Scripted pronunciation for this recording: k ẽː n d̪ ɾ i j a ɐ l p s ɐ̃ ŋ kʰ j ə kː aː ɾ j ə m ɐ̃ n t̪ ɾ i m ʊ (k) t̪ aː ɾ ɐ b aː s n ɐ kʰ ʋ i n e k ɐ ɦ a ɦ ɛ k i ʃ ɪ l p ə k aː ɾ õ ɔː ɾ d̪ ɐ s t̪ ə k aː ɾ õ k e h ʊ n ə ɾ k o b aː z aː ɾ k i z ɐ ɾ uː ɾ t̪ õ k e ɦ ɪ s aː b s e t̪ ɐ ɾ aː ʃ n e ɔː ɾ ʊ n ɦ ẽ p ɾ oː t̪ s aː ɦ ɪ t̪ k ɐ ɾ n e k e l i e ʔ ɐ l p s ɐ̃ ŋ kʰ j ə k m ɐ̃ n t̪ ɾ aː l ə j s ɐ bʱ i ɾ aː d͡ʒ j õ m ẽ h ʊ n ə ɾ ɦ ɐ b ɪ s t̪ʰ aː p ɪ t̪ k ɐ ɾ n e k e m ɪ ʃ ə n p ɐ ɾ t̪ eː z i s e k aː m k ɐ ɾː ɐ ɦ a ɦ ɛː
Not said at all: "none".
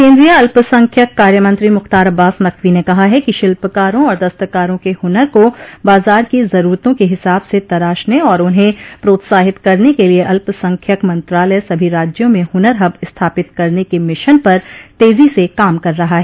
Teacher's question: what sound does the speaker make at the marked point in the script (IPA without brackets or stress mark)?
x